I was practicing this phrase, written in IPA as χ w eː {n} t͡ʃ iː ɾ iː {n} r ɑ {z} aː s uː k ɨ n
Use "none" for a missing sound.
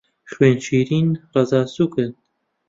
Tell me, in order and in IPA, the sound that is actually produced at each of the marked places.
n, n, z

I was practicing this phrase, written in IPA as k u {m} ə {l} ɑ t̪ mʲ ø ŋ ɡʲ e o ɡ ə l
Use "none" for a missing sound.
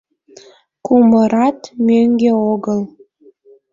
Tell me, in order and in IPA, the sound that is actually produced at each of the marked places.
m, ɾ

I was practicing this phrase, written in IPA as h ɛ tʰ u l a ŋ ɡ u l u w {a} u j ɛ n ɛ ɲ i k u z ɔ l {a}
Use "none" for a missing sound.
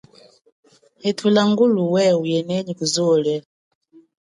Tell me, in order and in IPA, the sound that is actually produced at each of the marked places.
ɛ, ɛ

